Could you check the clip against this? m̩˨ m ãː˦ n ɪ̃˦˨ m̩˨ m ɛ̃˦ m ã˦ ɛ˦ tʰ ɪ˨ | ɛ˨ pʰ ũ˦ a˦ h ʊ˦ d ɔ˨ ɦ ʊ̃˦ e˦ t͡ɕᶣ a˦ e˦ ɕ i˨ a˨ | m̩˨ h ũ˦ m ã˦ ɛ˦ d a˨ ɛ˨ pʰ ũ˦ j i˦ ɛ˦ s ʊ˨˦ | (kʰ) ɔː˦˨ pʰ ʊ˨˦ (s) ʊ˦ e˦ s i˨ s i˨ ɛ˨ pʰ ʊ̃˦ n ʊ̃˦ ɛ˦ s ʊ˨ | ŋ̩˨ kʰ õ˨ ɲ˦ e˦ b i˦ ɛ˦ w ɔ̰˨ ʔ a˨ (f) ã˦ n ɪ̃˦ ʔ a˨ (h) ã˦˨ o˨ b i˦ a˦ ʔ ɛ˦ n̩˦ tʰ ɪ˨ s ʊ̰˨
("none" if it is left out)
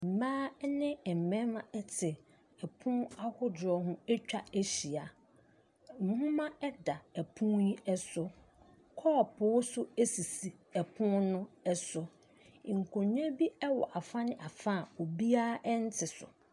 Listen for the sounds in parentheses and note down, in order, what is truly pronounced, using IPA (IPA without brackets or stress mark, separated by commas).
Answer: kʰ, s, f, f